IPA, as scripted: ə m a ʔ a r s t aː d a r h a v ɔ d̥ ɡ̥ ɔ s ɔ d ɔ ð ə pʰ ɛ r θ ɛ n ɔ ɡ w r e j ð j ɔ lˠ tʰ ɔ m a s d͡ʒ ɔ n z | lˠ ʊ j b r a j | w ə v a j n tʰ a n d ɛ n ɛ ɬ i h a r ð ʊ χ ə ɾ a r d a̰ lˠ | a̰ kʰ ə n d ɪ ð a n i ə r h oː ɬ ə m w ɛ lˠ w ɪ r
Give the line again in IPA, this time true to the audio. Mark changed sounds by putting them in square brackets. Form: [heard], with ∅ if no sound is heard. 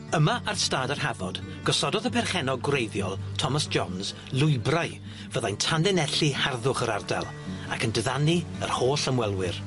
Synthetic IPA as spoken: ə m a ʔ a r s t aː d a r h a v ɔ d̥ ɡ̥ ɔ s ɔ d ɔ ð ə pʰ ɛ r [χ] ɛ n ɔ ɡ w r e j ð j ɔ lˠ tʰ ɔ m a s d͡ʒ ɔ n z | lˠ ʊ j b r a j | [v] ə [ð] a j n tʰ a n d ɛ n ɛ ɬ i h a r ð ʊ χ ə ɾ a r d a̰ lˠ | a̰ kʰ ə n d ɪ ð a n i ə r h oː ɬ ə m w ɛ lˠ w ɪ r

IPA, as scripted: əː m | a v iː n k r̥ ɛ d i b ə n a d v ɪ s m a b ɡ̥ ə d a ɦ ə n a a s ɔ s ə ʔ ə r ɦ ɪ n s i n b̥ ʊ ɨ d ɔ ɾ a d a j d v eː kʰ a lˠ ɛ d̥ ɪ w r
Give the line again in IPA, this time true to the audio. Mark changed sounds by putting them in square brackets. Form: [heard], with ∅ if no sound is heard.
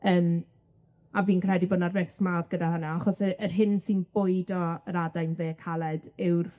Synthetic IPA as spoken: əː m | a v iː n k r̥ ɛ d i b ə n a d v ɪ s m a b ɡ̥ ə d a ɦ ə n a a [χ] ɔ s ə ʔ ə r ɦ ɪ n s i n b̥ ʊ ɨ d ɔ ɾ a d a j [n] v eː kʰ a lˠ ɛ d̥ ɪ w r

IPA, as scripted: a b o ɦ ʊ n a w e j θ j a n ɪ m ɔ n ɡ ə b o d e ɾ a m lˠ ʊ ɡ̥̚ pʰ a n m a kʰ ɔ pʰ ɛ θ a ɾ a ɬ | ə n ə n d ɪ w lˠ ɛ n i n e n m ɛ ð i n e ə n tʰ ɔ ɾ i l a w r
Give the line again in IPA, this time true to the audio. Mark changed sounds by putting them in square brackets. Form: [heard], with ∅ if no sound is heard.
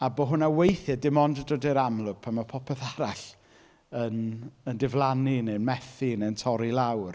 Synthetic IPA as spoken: a b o ɦ ʊ n a w e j θ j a [d] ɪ m ɔ n [d] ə [d] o d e ɾ a m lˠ ʊ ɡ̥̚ pʰ a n m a [pʰ] ɔ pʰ ɛ θ a ɾ a ɬ | ə n ə n d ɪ [v] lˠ [a] n i n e n m ɛ [θ] i n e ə n tʰ ɔ ɾ i l a w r

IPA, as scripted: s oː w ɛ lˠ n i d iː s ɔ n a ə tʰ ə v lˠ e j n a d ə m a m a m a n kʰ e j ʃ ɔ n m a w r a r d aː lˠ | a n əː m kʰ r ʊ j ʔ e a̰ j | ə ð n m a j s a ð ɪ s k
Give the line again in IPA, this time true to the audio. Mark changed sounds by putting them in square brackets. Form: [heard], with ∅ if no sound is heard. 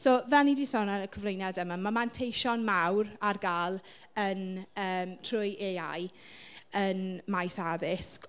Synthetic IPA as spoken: s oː [v] ɛ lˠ n i d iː s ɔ n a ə [kʰ] ə v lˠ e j n a d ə m a m a m a n [tʰ] e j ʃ ɔ n m a w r a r [ɡ] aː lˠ | [ə] n əː m [tʰ] r ʊ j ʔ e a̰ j | ə [∅] n m a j s a ð ɪ s k

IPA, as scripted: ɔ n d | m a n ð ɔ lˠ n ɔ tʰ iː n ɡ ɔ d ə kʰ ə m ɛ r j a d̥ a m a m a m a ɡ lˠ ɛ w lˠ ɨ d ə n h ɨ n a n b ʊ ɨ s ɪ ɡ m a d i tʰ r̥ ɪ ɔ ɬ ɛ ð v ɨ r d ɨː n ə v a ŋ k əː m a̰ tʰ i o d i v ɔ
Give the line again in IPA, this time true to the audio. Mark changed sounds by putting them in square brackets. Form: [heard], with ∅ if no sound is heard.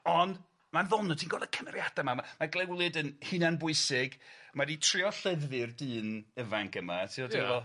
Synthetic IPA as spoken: ɔ n d | m a n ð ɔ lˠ n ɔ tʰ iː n ɡ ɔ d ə kʰ ə m ɛ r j a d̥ a m a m a m a ɡ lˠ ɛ w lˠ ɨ d ə n h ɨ n a n b ʊ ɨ s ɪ ɡ m a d i tʰ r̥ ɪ ɔ ɬ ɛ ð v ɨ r d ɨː n ə v a ŋ k [ə] m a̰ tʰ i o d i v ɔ

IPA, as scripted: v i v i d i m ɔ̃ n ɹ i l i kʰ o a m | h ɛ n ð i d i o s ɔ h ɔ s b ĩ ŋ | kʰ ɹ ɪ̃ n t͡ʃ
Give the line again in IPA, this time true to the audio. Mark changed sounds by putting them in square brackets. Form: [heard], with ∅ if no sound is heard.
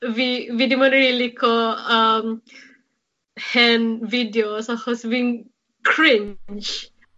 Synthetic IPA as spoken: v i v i d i m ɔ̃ n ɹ i l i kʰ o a m | h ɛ n [v] i d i o s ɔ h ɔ s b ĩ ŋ | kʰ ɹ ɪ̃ n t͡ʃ

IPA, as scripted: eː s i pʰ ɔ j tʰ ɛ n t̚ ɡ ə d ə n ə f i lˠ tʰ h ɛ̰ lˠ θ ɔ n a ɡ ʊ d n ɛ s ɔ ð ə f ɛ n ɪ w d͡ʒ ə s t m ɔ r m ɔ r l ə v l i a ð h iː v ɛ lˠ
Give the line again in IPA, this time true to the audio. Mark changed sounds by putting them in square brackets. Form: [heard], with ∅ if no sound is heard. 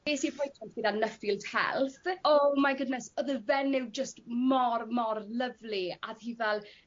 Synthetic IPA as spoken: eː s i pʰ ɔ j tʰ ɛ n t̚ ɡ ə d [a] n ə f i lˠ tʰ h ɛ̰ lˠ θ ɔ [m] a ɡ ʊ d n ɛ s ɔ ð ə [v] ɛ n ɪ w d͡ʒ ə s t m ɔ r m ɔ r l ə v l i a ð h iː v ɛ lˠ

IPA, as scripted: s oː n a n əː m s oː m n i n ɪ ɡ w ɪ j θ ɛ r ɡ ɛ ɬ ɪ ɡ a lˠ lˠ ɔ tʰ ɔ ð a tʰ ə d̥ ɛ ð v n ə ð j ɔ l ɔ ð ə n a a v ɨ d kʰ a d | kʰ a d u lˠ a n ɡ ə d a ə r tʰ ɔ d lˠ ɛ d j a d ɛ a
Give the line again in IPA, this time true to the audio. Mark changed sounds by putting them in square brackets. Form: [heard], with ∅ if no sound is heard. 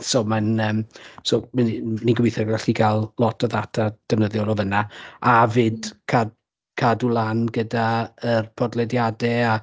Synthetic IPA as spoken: s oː [m] a n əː m s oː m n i n [i] ɡ w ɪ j θ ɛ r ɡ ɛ ɬ [i] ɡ a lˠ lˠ ɔ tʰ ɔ ð a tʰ [a] d̥ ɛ [∅] v n ə ð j ɔ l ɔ [v] ə n a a v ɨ d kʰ a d | kʰ a d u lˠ a n ɡ ə d a ə r [pʰ] ɔ d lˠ ɛ d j a d ɛ a

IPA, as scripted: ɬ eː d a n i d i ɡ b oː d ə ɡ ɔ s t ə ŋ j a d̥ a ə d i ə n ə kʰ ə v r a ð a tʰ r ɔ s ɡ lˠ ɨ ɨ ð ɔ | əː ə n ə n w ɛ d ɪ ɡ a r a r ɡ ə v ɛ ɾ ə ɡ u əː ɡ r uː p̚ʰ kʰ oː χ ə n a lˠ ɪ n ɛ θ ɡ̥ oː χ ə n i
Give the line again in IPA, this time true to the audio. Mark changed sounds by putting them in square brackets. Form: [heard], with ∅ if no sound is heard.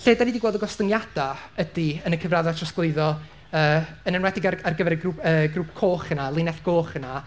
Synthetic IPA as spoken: ɬ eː d a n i d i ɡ [w] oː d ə ɡ ɔ s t ə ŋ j a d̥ a ə d i ə n ə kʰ ə v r a ð a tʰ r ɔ s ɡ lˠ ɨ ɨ ð ɔ | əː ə n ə n w ɛ d ɪ ɡ a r a r ɡ ə v ɛ ɾ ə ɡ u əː ɡ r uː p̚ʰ kʰ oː χ ə n a lˠ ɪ n ɛ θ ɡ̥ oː χ ə n [a]

